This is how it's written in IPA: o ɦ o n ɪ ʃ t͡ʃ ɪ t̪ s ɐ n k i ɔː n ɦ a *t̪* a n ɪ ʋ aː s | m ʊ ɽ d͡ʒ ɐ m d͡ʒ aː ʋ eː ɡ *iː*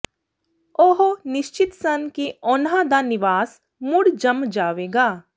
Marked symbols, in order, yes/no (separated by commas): no, no